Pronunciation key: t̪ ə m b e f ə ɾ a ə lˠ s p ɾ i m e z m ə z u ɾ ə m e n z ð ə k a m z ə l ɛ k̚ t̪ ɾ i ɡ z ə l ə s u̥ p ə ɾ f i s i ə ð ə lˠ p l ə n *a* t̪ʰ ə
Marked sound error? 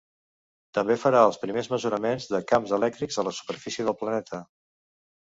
yes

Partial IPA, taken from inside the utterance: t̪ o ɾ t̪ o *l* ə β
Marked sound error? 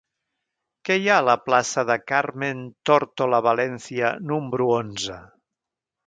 no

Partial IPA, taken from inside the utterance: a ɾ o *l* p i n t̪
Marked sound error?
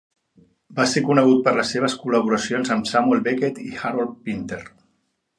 no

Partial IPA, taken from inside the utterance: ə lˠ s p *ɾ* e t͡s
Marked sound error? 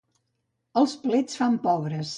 yes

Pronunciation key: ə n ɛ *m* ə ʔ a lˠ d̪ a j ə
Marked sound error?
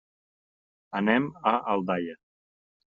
no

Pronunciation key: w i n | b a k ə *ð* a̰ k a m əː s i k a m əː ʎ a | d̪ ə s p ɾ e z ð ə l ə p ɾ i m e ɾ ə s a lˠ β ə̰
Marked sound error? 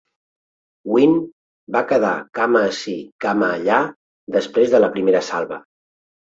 no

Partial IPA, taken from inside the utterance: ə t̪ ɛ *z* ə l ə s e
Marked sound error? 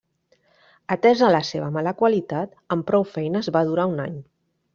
no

